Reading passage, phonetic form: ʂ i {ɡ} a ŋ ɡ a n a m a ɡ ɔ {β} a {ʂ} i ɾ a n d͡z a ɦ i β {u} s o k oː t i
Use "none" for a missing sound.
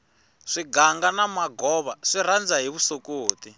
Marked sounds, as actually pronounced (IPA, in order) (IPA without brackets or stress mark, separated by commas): ɡ, β, ʂ, u